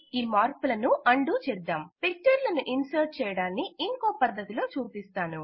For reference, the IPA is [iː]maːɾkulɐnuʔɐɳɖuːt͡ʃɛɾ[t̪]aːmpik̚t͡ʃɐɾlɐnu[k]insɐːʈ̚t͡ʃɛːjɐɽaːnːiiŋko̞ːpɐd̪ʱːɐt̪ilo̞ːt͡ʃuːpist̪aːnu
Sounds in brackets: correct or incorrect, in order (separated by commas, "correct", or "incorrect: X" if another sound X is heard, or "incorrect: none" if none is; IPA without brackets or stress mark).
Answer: correct, incorrect: d̪, incorrect: ʔ